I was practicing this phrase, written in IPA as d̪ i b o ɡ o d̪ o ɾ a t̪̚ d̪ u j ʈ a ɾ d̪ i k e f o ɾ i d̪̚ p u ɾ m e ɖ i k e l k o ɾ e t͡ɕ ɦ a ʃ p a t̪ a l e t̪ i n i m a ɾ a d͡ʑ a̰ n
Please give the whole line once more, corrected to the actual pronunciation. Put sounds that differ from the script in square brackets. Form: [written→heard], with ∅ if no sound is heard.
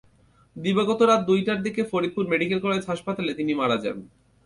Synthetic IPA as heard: d̪ i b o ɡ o [d̪→t̪] o ɾ a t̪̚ d̪ u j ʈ a ɾ d̪ i k e f o ɾ i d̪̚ p u ɾ m e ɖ i k e l k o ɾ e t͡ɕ ɦ a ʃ p a t̪ a l e t̪ i n i m a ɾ a d͡ʑ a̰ n